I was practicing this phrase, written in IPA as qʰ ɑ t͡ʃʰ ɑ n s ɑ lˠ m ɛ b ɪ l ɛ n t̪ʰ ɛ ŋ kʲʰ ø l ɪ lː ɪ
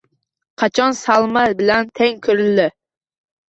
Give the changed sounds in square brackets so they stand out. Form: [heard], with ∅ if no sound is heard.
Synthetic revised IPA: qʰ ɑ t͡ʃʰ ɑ n s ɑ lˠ m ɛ b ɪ l ɛ n t̪ʰ ɛ ŋ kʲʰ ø [ɾ] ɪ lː ɪ